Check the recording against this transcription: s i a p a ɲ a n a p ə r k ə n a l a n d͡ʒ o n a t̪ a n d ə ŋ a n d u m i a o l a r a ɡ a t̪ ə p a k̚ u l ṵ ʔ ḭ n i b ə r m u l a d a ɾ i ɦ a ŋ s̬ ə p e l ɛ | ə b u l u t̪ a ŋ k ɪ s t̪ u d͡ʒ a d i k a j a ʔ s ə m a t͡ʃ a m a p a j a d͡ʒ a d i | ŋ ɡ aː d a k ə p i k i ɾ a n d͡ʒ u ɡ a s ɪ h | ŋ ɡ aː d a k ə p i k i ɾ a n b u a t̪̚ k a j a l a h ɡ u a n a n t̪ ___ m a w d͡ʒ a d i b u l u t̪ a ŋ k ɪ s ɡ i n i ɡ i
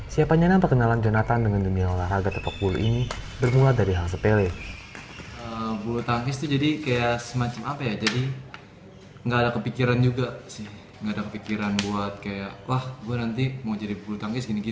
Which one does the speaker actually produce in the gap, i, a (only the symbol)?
i